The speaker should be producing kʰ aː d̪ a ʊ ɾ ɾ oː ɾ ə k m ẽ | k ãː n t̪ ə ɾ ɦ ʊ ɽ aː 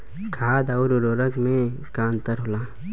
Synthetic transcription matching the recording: kʰ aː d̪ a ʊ ɾ ɾ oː ɾ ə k m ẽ | k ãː n t̪ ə ɾ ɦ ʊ l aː